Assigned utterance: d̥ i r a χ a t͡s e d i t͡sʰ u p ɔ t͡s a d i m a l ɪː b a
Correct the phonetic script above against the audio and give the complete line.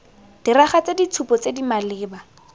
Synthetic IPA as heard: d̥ i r a χ a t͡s e d i t͡sʰ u p ɔ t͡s e d i m a l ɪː b a